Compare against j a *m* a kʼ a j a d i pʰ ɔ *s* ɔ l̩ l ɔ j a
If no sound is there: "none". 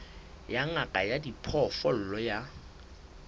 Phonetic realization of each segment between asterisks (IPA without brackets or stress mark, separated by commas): ŋ, f